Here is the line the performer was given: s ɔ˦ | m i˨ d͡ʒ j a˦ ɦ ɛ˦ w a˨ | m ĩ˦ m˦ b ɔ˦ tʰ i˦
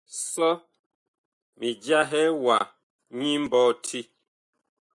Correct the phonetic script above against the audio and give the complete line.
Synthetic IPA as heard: s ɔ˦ | m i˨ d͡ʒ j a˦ ɦ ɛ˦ w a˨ | ɲ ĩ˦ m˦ b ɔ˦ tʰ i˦